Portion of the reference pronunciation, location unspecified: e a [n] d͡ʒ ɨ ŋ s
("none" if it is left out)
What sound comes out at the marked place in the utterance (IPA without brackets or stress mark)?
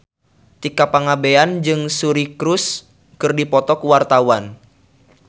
n